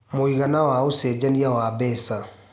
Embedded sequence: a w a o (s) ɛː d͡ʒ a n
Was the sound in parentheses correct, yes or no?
yes